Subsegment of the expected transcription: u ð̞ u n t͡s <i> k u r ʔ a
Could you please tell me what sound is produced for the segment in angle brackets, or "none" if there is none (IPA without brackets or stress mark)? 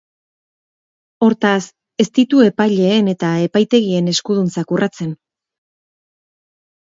a